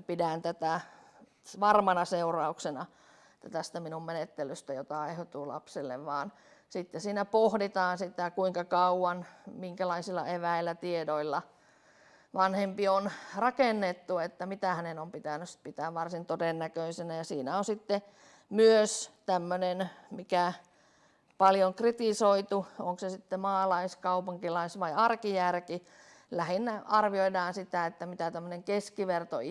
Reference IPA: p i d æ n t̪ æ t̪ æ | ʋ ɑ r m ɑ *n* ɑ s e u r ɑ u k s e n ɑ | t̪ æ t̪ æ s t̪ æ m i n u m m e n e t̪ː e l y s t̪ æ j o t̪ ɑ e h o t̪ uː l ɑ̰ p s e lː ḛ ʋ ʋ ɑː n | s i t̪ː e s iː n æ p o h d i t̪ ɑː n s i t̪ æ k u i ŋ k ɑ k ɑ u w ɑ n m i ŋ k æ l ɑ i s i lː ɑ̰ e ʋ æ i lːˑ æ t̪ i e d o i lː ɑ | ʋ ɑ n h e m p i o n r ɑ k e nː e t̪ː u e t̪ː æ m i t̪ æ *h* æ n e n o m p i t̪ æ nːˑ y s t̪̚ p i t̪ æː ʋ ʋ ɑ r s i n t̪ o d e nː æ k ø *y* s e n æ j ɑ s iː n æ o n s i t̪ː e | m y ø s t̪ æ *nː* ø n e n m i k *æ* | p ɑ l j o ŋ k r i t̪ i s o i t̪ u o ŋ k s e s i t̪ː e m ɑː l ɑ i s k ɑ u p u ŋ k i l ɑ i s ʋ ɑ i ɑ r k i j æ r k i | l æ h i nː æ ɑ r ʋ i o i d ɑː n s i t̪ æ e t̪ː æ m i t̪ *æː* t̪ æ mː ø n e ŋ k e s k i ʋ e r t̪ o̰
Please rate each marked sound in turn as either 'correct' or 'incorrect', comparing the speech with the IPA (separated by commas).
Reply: correct, correct, incorrect, incorrect, correct, incorrect